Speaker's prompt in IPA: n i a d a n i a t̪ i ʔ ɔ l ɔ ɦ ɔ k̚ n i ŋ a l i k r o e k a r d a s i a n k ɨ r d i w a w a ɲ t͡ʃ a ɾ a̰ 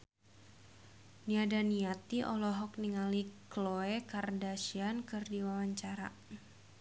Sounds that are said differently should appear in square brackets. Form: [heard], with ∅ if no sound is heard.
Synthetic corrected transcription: n i a d a n i a t̪ i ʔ ɔ l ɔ ɦ ɔ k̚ n i ŋ a l i k [l] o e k a r d a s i a n k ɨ r d i w a w a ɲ t͡ʃ a ɾ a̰